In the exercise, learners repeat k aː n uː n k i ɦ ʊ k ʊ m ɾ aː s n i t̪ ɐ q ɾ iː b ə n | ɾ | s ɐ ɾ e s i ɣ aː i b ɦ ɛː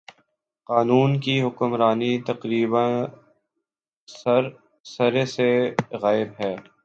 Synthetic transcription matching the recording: q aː n uː n k i ɦ ʊ k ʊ m ɾ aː n i t̪ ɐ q ɾ iː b ə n | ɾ | s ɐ ɾ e s e ɣ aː ɪ b ɦ ɛː